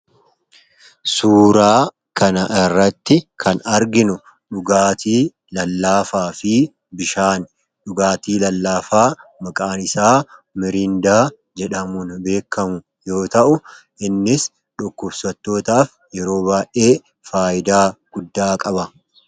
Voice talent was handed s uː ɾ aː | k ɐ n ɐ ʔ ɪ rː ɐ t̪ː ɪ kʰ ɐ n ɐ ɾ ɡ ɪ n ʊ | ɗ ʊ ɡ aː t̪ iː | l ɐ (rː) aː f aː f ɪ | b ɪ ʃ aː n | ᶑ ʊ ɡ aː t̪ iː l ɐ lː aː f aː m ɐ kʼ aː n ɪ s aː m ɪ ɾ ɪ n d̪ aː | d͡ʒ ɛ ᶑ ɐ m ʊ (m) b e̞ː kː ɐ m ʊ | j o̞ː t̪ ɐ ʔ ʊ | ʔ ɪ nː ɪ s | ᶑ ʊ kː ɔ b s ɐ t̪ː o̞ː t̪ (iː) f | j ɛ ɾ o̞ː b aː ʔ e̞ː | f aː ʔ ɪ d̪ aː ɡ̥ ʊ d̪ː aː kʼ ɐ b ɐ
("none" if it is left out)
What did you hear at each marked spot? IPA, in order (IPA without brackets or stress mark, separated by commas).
lː, n, aː